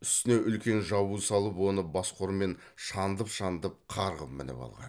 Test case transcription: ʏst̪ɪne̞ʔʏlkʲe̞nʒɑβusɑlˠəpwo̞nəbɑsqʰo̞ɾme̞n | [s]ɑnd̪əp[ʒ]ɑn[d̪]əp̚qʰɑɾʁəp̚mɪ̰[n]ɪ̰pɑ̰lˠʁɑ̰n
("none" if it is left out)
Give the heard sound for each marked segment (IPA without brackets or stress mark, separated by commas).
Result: ʃ, ʃ, d̪, n